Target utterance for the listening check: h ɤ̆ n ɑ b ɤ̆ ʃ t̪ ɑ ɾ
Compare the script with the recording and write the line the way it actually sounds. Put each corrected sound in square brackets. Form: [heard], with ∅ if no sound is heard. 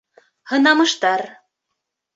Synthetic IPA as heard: h ɤ̆ n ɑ [m] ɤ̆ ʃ t̪ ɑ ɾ